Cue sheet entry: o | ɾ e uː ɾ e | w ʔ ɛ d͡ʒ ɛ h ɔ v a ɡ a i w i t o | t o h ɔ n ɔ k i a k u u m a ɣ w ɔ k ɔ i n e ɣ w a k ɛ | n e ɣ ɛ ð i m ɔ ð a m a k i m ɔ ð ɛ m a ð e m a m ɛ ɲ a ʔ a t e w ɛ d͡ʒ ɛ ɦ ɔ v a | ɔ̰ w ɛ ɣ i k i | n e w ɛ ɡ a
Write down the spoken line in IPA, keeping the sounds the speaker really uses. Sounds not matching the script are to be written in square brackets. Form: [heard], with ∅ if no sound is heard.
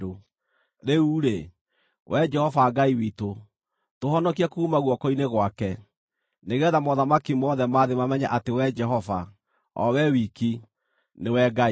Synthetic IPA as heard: o | ɾ e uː ɾ e | w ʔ ɛ d͡ʒ ɛ h ɔ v a ɡ a i w i t o | t o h ɔ n ɔ k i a k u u m a ɣ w ɔ k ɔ i n e ɣ w a k ɛ | n e ɣ ɛ ð [a] m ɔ ð a m a k i m ɔ ð ɛ m a ð e m a m ɛ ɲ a ʔ a t e w ɛ d͡ʒ ɛ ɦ ɔ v a | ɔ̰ w ɛ [w] i k i | n e w ɛ ɡ a